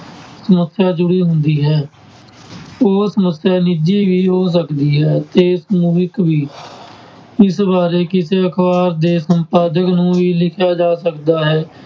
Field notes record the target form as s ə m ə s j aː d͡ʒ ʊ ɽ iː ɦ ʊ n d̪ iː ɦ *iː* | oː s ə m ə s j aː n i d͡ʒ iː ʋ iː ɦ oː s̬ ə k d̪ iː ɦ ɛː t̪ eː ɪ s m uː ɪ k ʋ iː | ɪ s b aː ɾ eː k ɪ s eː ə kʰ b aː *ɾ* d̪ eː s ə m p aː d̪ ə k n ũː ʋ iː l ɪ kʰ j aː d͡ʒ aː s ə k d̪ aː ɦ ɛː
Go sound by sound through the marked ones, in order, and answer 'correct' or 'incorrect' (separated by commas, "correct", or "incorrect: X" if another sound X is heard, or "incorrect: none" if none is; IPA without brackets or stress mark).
incorrect: ɛː, correct